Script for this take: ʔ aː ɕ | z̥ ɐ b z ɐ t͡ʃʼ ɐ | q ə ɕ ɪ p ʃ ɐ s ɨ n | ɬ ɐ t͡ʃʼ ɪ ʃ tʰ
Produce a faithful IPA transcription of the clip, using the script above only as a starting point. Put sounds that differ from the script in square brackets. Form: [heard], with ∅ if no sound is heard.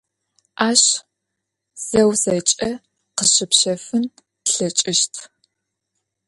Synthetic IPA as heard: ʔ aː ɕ | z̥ ɐ [w] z ɐ t͡ʃʼ ɐ | q ə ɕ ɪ p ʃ ɐ [f] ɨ n | ɬ ɐ t͡ʃʼ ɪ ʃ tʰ